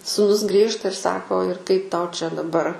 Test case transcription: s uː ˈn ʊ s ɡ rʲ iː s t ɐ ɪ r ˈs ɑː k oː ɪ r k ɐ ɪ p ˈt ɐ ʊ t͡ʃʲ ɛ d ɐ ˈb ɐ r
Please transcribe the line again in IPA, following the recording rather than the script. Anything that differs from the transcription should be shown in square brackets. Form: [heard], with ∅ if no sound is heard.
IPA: s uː ˈn ʊ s ɡ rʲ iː [ʃ] t ɐ ɪ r ˈs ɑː k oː ɪ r k ɐ ɪ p ˈt ɐ ʊ t͡ʃʲ ɛ d ɐ ˈb ɐ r

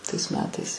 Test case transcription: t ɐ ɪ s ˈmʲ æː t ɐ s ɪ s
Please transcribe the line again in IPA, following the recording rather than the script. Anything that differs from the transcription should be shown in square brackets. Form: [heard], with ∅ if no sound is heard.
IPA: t ɐ ɪ s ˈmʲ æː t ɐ [∅] ɪ s

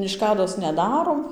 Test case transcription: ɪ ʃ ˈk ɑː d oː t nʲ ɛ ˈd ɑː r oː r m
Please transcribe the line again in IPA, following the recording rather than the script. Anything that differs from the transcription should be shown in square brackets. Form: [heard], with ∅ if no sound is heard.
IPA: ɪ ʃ ˈk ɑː d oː [s] nʲ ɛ ˈd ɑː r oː [∅] m

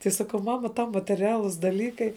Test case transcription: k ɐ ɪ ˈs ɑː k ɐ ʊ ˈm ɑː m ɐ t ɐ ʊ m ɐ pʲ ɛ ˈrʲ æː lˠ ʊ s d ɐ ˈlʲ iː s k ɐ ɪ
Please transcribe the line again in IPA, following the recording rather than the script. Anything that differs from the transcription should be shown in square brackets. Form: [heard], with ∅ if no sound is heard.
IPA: [t] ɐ ɪ ˈs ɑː k ɐ ʊ ˈm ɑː m ɐ t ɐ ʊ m ɐ [tʲ] ɛ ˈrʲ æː lˠ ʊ s d ɐ ˈlʲ iː [∅] k ɐ ɪ

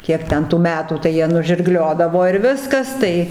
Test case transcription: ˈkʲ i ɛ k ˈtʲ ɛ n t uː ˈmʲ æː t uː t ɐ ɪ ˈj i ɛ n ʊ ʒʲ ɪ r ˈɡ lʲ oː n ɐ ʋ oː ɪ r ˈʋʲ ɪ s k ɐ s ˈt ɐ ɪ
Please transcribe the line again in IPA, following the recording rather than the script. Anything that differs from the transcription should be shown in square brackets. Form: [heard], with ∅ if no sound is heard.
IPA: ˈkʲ i ɛ k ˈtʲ ɛ n t uː ˈmʲ æː t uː t ɐ ɪ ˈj i ɛ n ʊ ʒʲ ɪ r ˈɡ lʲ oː [d] ɐ ʋ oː ɪ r ˈʋʲ ɪ s k ɐ s ˈt ɐ ɪ

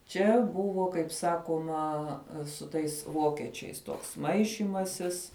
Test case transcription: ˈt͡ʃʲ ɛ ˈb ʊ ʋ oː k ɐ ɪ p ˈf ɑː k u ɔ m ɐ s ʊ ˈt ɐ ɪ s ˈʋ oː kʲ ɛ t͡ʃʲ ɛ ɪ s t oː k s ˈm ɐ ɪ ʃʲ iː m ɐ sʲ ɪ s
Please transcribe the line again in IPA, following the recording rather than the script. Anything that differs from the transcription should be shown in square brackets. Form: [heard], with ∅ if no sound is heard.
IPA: ˈt͡ʃʲ ɛ ˈb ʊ ʋ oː k ɐ ɪ p [ˈs] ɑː k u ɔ m ɐ s ʊ ˈt ɐ ɪ s ˈʋ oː kʲ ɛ t͡ʃʲ ɛ ɪ s t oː k s ˈm ɐ ɪ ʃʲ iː m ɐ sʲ ɪ s

